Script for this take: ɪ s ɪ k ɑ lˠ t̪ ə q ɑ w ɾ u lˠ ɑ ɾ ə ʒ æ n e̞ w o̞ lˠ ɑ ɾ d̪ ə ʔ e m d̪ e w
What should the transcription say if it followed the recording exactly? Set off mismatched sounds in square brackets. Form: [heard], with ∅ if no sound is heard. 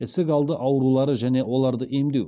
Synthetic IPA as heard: ɪ s ɪ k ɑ lˠ [d̪] ə [ʔ] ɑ w ɾ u lˠ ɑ ɾ ə ʒ æ n e̞ w o̞ lˠ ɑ ɾ d̪ ə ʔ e m d̪ e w